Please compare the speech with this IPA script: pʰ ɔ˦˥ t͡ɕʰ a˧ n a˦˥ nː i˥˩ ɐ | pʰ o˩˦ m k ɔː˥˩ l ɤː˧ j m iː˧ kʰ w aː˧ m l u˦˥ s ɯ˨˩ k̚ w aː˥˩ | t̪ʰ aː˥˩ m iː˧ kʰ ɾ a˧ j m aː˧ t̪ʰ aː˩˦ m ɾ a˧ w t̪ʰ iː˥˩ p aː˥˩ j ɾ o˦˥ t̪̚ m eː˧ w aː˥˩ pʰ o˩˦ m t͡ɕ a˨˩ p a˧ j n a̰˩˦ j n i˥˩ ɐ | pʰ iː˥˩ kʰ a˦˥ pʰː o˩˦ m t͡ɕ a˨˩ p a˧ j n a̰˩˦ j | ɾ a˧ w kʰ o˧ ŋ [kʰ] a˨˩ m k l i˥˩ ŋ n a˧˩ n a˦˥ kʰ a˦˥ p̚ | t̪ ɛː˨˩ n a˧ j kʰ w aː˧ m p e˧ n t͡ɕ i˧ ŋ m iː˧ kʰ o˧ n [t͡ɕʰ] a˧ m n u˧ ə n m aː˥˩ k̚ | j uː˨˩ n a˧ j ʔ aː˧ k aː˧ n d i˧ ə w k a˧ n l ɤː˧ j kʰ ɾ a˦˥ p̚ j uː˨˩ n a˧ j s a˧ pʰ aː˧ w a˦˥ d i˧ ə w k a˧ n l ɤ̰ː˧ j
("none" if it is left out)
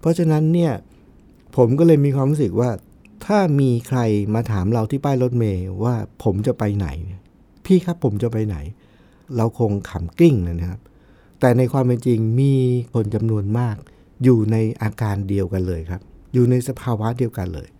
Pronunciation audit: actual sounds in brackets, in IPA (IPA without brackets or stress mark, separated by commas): kʰ, t͡ɕ